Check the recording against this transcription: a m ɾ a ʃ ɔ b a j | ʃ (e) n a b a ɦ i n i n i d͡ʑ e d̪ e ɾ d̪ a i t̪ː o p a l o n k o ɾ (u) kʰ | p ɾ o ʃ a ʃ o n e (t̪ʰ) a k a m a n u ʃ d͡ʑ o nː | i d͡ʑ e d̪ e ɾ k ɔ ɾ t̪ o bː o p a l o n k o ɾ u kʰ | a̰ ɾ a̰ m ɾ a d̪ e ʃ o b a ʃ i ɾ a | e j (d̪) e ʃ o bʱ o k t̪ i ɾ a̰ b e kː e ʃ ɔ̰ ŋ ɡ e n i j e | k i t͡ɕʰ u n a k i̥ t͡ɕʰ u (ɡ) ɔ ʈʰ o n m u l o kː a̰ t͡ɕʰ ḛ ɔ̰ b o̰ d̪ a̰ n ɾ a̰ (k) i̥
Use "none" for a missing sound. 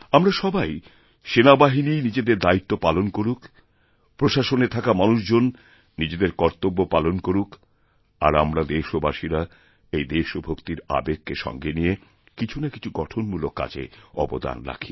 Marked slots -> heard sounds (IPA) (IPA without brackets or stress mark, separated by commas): e, u, t̪ʰ, d̪, ɡ, kʰ